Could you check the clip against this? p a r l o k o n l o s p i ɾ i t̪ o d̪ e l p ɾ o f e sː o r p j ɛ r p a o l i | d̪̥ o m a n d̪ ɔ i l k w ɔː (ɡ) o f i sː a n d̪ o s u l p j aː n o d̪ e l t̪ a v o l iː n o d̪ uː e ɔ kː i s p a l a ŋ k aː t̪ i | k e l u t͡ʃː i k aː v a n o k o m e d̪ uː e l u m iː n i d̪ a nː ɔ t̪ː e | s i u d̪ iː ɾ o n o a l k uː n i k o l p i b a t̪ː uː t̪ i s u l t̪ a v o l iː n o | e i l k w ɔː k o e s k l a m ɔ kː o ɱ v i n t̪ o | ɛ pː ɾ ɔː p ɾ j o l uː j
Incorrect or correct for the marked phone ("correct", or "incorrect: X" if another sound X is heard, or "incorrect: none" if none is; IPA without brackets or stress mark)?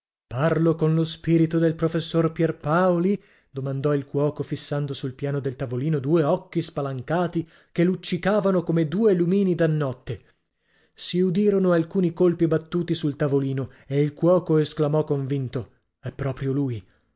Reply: incorrect: k